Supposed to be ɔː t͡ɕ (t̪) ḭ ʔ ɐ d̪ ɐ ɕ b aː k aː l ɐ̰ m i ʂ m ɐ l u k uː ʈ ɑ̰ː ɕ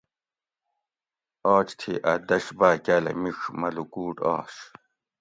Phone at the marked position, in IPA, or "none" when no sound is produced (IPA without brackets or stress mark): t̪ʰ